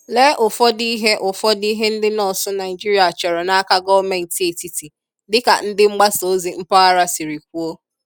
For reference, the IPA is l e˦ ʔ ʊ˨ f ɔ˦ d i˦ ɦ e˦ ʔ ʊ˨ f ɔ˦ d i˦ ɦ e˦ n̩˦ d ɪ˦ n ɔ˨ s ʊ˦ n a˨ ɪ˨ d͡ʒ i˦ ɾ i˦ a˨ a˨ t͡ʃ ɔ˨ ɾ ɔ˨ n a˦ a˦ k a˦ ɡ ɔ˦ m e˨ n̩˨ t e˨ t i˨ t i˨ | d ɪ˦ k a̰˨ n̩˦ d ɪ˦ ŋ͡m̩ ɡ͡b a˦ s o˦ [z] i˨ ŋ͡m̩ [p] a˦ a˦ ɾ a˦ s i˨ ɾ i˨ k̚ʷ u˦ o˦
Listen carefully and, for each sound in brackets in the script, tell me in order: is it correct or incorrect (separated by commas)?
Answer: correct, correct